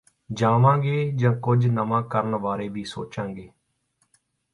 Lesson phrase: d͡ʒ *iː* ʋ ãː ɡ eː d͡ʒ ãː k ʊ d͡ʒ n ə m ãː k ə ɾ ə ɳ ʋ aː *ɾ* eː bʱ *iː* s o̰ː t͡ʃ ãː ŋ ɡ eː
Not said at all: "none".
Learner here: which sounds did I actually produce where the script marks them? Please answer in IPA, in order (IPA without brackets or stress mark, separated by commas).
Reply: aː, ɾ, iː